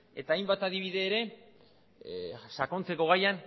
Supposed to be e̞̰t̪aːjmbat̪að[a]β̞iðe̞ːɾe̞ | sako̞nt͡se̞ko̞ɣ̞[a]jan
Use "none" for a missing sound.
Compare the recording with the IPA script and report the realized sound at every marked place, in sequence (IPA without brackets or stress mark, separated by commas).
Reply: i, a